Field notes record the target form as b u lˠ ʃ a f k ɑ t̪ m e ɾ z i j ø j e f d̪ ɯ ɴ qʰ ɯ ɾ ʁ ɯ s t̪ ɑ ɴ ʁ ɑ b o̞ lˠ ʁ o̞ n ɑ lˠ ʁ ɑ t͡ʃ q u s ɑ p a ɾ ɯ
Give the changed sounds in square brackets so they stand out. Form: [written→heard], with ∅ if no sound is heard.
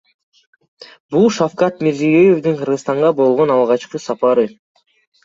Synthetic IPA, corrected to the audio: b u lˠ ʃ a f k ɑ t̪ m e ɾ z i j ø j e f d̪ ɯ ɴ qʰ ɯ ɾ ʁ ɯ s t̪ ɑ ɴ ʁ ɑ b o̞ lˠ ʁ o̞ n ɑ lˠ ʁ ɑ t͡ʃ q [u→ɯ] s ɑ p [a→ɑ] ɾ ɯ